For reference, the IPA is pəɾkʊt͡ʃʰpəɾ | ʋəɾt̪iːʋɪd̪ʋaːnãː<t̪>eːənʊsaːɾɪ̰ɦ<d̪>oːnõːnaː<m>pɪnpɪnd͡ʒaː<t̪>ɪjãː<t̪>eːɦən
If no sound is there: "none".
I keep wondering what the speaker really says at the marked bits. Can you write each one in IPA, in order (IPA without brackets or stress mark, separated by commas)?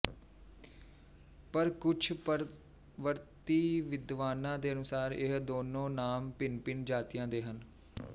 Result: d̪, d̪, m, t̪, d̪